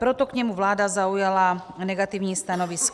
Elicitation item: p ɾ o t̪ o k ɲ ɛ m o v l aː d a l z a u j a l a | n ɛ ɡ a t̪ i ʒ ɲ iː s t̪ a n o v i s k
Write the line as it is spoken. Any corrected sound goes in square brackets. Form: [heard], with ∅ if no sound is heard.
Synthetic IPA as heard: p ɾ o t̪ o k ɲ ɛ m [u] v l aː d a [∅] z a u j a l a | n ɛ ɡ a t̪ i [v] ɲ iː s t̪ a n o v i s k